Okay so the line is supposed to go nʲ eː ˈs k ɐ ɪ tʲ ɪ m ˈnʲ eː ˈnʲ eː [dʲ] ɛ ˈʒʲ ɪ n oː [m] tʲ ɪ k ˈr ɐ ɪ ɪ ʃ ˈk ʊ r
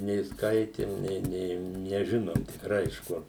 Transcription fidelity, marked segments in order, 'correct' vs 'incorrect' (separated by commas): incorrect, correct